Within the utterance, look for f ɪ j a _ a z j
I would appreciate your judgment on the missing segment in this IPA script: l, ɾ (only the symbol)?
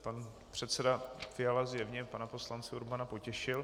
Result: l